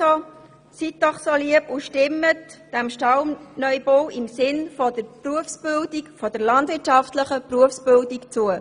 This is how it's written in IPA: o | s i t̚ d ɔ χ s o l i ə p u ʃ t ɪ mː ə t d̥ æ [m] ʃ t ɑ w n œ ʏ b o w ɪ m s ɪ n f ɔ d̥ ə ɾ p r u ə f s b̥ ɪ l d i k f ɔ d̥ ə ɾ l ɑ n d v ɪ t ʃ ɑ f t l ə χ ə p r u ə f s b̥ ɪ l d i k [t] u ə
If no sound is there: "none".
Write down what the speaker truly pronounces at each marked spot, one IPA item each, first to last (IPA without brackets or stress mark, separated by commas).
m, t͡s